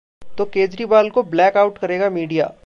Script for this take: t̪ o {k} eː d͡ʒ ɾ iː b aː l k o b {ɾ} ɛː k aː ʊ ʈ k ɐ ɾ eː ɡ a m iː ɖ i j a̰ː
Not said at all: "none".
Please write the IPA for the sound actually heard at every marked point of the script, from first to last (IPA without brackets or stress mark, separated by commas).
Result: k, l